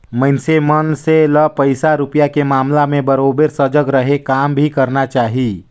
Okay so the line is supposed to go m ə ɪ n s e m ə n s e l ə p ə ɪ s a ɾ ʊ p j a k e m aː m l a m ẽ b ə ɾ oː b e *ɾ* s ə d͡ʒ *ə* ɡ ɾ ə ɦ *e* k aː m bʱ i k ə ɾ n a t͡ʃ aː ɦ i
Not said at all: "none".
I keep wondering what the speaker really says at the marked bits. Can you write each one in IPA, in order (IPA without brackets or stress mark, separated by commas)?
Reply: ɾ, ə, e